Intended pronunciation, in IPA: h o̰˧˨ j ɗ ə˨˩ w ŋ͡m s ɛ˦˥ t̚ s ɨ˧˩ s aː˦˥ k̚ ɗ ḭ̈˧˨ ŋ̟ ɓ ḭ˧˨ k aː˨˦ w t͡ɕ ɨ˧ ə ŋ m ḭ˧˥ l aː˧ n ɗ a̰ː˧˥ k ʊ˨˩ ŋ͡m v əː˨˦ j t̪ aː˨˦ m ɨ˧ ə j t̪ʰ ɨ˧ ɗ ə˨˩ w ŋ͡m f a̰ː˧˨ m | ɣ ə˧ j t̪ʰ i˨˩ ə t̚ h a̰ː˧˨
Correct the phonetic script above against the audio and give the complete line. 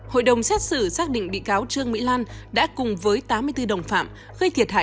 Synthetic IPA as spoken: h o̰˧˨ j ɗ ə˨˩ w ŋ͡m s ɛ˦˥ t̚ s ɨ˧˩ s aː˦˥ k̚ ɗ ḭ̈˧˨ ŋ̟ ɓ ḭ˧˨ k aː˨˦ w t͡ɕ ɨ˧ ə ŋ m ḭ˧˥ l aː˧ n ɗ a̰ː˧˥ k ʊ˨˩ ŋ͡m v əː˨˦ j t̪ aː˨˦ m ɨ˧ ə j t̪ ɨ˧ ɗ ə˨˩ w ŋ͡m f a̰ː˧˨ m | ɣ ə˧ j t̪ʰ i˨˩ ə t̚ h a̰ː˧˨

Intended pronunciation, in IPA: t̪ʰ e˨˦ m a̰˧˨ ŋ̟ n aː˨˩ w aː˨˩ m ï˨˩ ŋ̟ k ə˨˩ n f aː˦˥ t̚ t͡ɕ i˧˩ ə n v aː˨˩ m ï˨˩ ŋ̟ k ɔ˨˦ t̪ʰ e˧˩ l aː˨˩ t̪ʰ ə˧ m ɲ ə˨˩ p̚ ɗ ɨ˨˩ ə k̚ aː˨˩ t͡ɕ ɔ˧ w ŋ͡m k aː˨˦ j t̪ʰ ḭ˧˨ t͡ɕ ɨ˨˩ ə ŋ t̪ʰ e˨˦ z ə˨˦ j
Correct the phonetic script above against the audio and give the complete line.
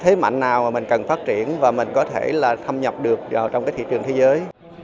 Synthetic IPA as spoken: t̪ʰ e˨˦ m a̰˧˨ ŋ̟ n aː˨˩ w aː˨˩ m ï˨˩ ŋ̟ k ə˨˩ n f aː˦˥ t̚ t͡ɕ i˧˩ ə n v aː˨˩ m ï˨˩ ŋ̟ k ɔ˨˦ t̪ʰ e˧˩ l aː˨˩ t̪ʰ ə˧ m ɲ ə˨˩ p̚ ɗ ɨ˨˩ ə k̚ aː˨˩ t͡ɕ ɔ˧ w ŋ͡m k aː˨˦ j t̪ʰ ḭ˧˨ t͡ɕ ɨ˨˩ ə ŋ t̪ʰ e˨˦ z əː˨˦ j

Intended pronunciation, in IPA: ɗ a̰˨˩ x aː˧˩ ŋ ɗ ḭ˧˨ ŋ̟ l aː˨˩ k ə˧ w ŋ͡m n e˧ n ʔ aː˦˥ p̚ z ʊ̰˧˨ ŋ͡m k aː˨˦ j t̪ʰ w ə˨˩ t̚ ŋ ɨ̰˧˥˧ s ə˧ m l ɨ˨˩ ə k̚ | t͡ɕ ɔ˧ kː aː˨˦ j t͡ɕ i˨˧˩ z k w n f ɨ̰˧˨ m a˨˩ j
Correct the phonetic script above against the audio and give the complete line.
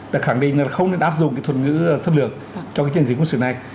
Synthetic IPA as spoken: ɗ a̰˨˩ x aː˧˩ ŋ ɗ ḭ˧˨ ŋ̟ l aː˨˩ x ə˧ w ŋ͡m n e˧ n ʔ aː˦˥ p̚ z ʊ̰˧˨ ŋ͡m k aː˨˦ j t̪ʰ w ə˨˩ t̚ ŋ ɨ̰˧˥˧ s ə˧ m l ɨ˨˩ ə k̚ | t͡ɕ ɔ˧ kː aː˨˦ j t͡ɕ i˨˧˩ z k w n s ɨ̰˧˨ n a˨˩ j

